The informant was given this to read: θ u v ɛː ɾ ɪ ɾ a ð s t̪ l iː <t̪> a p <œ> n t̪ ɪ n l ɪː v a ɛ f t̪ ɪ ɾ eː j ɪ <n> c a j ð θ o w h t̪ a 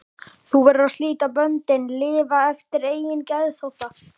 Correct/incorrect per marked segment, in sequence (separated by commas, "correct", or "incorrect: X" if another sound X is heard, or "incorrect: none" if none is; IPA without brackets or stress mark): correct, correct, correct